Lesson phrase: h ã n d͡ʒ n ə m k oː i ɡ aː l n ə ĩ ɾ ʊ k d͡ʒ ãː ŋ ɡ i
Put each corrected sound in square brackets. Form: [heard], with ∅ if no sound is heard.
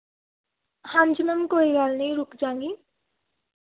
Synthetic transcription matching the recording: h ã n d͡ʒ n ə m k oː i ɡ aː l n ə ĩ ɾ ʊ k d͡ʒ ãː ŋ ɡ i